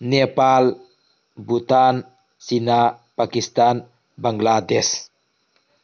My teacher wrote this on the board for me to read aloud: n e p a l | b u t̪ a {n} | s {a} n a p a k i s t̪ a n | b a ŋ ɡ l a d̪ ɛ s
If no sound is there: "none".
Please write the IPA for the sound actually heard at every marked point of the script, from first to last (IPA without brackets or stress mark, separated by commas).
n, i